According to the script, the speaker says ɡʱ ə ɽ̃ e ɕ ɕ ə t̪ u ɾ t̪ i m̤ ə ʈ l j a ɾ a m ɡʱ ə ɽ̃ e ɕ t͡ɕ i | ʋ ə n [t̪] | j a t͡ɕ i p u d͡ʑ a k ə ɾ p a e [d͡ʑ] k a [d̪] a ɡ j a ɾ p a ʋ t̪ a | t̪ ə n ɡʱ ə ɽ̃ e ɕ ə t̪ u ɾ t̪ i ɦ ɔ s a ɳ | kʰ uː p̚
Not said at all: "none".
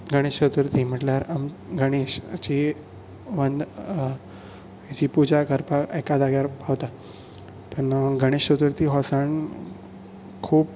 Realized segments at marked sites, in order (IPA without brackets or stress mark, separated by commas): d̪, none, d̪